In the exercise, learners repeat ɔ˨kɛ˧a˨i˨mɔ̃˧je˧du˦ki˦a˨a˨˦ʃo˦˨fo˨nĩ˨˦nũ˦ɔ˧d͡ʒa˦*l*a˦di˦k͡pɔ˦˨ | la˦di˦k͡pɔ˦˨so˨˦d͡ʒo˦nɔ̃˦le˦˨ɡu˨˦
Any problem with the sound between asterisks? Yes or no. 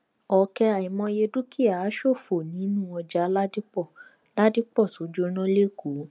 no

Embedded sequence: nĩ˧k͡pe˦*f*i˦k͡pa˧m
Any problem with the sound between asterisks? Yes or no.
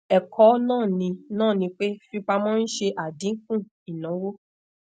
no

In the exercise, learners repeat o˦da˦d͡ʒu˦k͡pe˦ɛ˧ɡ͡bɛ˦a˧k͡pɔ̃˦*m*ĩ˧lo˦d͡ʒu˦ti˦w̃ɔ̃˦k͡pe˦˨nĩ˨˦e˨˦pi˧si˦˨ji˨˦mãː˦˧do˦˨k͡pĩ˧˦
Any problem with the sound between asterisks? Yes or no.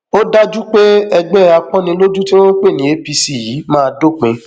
yes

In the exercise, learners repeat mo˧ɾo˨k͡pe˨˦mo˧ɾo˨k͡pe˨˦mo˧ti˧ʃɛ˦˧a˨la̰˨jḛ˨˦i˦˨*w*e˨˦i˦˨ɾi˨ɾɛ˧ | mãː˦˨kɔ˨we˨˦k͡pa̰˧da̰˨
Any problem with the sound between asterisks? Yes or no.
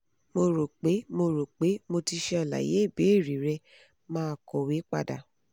yes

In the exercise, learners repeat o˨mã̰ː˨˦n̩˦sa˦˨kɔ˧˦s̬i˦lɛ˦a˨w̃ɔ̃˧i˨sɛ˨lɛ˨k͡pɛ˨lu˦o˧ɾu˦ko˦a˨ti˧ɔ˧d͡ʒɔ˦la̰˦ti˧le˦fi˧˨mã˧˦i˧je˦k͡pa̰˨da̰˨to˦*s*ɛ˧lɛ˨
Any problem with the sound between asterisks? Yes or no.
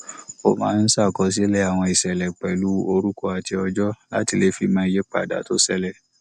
no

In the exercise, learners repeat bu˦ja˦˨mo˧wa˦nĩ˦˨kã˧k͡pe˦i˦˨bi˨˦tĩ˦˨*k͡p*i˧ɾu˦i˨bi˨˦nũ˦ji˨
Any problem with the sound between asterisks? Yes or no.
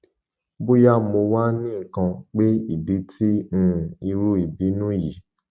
yes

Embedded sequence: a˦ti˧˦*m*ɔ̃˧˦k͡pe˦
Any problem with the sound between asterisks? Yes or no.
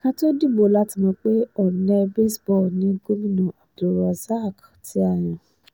no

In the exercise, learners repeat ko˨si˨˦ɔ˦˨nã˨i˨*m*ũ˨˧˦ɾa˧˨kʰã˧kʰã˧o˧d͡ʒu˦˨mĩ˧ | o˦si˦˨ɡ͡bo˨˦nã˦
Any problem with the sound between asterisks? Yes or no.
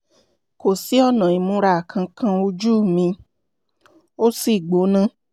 no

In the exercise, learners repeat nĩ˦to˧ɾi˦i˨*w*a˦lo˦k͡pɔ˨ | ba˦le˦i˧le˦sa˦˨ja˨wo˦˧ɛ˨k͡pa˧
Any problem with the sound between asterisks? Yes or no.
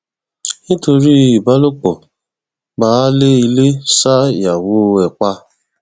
yes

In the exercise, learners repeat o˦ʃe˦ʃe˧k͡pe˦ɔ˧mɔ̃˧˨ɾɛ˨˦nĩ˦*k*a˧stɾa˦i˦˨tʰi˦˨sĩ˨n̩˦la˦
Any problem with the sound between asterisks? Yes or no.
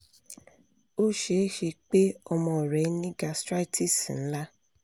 yes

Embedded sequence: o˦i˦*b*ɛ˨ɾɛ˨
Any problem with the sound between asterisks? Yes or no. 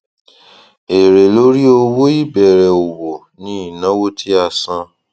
no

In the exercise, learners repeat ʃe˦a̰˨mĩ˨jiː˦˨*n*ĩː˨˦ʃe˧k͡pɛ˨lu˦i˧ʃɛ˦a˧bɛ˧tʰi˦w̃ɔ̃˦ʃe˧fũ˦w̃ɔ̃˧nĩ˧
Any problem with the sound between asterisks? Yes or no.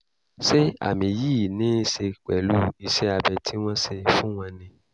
no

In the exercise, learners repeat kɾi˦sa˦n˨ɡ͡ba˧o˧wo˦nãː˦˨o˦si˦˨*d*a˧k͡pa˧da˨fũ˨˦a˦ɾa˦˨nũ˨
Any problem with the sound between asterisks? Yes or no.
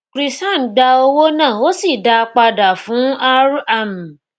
no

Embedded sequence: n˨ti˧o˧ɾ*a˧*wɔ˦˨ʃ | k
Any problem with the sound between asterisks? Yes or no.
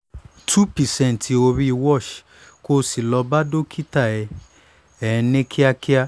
yes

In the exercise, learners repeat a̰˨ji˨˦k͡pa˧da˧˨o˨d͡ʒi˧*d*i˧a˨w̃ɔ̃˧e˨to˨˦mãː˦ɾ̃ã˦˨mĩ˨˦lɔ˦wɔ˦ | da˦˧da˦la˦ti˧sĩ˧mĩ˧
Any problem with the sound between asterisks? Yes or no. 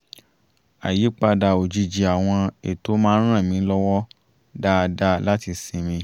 yes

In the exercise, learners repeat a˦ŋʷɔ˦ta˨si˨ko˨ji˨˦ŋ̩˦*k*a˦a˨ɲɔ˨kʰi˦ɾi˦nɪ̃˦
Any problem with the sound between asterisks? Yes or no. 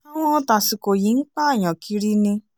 yes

